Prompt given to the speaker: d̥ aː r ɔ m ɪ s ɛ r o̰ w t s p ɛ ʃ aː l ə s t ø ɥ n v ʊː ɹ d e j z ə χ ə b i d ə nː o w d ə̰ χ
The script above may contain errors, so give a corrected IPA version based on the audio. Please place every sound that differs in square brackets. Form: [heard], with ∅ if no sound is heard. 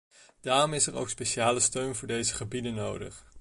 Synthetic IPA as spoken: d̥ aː r ɔ m ɪ s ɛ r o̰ w [k] s p [e] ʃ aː l ə s t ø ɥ n v ʊː ɹ d e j z ə χ ə b i d ə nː o w d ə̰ χ